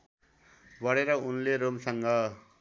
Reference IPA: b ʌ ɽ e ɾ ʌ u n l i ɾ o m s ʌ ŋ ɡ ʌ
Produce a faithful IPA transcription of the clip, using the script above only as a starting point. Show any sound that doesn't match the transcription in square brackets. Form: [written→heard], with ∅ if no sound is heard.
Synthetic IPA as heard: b ʌ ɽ e ɾ ʌ u n l [i→e] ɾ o m s ʌ ŋ ɡ ʌ